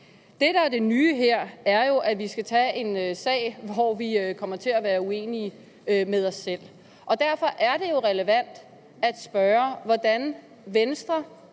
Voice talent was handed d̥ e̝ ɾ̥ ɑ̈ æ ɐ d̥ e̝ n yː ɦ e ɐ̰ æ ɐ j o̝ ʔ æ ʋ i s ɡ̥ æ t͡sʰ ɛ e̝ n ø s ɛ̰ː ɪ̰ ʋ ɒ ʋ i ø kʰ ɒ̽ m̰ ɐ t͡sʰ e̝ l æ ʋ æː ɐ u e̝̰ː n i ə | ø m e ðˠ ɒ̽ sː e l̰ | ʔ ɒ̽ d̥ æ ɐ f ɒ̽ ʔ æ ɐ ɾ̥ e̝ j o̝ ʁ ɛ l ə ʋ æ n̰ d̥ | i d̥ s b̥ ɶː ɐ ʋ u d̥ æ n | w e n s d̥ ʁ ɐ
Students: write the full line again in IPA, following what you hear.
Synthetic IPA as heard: d̥ e̝ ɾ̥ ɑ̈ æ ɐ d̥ e̝ n yː ɦ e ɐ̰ æ ɐ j o̝ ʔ æ ʋ i s ɡ̥ æ t͡sʰ ɛ e̝ n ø s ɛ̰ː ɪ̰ ʋ ɒ ʋ i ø kʰ ɒ̽ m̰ ɐ t͡sʰ e̝ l æ ʋ æː ɐ u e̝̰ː n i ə | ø m e ðˠ ɒ̽ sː e l̰ | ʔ ɒ̽ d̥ æ ɐ f ɒ̽ ʔ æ ɐ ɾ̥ e̝ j o̝ ʁ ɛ l ə ʋ æ n̰ d̥ | æ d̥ s b̥ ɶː ɐ ʋ ɒ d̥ æ n | ʋ e n s d̥ ʁ ɐ